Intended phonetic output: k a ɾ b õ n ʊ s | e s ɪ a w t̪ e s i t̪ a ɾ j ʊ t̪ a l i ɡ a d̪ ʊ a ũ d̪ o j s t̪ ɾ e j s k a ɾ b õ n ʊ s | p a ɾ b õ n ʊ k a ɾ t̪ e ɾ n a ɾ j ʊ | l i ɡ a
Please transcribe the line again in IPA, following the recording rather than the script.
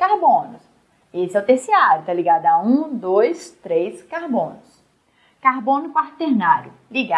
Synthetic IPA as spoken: k a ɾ b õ n ʊ s | e s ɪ a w t̪ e s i a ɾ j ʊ t̪ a l i ɡ a d̪ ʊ a ũ d̪ o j s t̪ ɾ e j s k a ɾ b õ n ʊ s | k a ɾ b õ n ʊ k a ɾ t̪ e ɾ n a ɾ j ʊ | l i ɡ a